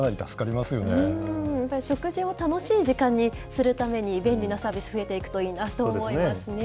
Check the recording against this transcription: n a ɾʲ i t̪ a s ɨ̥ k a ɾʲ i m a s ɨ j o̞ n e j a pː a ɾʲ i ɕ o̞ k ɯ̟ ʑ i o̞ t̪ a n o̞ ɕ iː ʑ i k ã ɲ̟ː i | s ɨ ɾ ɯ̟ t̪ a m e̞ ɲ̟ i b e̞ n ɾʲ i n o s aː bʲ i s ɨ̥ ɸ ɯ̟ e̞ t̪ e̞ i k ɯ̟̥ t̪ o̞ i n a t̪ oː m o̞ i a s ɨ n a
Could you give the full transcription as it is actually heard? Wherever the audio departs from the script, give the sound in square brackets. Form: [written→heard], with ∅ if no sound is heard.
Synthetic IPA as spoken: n a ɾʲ i t̪ a s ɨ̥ k a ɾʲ i m a s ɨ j o̞ n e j a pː a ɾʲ i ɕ o̞ k ɯ̟ ʑ i o̞ t̪ a n o̞ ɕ iː ʑ i k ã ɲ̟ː i | s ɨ ɾ ɯ̟ t̪ a m e̞ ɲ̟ i b [e̞→ẽ̞] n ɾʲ i n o s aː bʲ i s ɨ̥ ɸ ɯ̟ e̞ t̪ e̞ i k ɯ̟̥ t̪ o̞ [i→iː] n a t̪ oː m o̞ i a s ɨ n [a→e]